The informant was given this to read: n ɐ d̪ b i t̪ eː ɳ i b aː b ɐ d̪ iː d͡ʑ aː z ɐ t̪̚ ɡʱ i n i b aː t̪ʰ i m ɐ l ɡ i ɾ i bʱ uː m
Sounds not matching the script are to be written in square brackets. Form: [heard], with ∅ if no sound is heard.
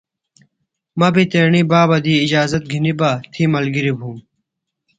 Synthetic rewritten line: [m] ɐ [∅] b i t̪ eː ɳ i b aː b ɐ d̪ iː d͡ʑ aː z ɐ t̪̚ ɡʱ i n i b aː t̪ʰ i m ɐ l ɡ i ɾ i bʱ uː m